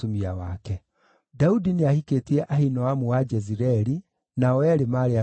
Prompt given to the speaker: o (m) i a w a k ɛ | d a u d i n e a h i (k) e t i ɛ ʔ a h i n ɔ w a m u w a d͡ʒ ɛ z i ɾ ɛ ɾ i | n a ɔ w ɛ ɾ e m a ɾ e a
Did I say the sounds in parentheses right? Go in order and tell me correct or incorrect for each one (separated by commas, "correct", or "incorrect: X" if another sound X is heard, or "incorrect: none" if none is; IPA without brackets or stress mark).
correct, correct